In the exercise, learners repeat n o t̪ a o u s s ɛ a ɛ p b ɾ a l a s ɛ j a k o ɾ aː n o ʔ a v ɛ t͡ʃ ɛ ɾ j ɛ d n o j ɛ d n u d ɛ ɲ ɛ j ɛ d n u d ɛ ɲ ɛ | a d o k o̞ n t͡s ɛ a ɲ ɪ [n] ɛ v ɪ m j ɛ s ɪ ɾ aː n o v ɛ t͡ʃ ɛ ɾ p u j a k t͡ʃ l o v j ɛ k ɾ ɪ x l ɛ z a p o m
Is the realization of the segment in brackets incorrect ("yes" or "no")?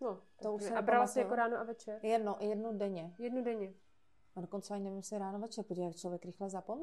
no